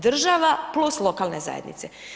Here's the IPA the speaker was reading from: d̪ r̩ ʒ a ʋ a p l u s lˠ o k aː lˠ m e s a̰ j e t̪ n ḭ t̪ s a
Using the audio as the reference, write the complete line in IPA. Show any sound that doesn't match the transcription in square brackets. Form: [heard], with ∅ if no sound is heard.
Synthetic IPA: d̪ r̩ ʒ a ʋ a p l u s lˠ o k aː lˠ [n] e [z] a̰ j e [d̪] n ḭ t̪ s [e]